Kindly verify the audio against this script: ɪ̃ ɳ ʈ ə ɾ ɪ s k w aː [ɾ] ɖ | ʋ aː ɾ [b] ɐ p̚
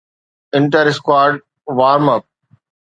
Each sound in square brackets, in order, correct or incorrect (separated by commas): correct, incorrect